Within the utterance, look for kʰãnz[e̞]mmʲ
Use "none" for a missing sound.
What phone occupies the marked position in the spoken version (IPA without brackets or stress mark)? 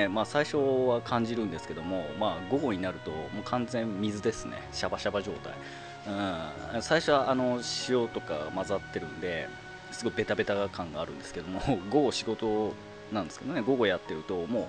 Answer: ẽ̞